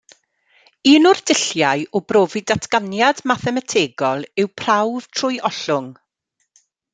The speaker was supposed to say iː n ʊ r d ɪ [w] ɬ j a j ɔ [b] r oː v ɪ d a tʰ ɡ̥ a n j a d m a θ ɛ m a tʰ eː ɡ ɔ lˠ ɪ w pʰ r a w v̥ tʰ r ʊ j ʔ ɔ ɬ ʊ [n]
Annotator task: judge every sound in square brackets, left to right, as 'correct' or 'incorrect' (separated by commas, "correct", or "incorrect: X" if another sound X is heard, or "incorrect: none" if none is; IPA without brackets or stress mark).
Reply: incorrect: none, correct, incorrect: ŋ